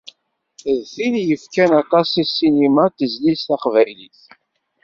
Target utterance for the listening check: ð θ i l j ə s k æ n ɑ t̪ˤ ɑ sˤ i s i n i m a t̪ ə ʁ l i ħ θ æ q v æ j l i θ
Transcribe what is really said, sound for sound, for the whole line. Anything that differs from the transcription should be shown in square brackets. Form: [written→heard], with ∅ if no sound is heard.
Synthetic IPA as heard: ð θ i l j ə [s→f] k æ n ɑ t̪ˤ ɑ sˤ i s i n i m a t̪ ə [ʁ→z] l i [ħ→s] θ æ q v æ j l i θ